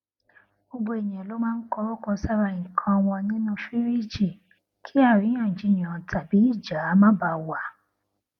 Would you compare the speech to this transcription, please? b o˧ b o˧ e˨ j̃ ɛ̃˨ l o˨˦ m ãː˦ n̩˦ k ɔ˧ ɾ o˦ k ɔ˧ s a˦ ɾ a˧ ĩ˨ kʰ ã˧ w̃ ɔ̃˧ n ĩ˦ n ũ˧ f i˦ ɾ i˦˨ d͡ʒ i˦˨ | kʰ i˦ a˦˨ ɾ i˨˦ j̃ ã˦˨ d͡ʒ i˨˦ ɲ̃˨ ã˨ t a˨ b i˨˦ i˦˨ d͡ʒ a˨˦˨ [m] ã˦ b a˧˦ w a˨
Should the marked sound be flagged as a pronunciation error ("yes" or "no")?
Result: no